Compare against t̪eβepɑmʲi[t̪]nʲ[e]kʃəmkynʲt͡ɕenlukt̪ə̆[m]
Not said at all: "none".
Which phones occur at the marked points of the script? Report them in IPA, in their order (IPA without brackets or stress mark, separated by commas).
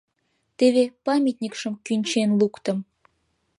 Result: t̪, i, m